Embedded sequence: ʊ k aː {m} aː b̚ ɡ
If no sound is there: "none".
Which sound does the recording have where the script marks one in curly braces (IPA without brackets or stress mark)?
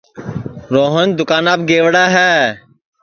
n